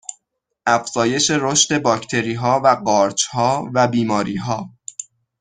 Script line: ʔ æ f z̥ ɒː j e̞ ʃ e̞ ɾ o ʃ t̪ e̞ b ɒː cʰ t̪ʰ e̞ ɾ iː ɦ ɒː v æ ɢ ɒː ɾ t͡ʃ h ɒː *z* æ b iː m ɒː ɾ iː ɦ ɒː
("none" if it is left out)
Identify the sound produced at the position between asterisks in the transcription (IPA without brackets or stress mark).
v